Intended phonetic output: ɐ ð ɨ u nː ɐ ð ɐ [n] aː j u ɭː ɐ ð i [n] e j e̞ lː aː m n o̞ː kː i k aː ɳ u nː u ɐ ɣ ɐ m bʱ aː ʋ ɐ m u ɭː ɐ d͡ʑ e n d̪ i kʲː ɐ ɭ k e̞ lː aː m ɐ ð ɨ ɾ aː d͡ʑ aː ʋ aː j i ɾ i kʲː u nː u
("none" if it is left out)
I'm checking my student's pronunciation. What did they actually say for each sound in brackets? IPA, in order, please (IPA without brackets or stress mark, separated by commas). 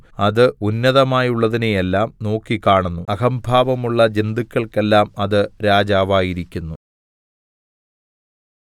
m, n